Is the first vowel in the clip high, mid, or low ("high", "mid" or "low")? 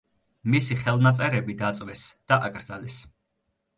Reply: high